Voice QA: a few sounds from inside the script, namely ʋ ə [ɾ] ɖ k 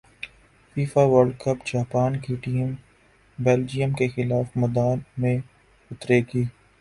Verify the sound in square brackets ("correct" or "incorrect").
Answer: correct